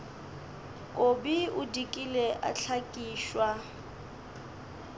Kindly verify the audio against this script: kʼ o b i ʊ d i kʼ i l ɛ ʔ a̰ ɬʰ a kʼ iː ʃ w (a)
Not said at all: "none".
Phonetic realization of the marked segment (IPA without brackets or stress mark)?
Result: a